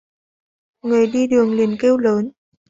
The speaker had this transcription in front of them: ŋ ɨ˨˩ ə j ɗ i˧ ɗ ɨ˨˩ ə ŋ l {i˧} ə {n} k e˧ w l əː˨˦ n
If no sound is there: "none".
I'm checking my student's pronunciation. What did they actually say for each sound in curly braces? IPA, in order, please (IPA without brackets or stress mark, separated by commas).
i˨˩, n